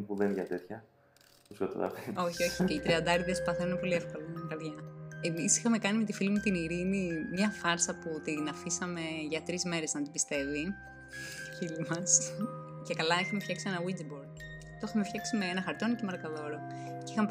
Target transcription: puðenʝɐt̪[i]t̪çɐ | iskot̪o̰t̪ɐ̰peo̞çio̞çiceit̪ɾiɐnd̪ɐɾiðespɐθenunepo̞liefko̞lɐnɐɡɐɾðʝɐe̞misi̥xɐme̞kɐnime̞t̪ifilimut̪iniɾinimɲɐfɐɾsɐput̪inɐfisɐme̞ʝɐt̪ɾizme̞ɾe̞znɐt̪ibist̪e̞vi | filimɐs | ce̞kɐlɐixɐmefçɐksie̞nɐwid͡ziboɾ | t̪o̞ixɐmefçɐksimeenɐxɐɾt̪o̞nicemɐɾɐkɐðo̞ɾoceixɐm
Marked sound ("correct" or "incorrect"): incorrect